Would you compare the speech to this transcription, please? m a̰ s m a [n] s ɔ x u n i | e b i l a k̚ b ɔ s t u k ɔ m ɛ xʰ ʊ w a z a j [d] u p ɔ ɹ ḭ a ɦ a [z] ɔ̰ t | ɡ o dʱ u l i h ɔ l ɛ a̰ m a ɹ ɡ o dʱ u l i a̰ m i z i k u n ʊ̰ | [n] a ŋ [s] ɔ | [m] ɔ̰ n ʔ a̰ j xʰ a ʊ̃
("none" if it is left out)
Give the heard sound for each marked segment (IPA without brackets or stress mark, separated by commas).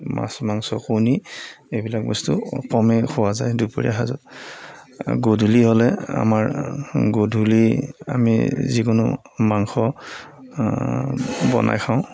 ŋ, d, z, m, x, b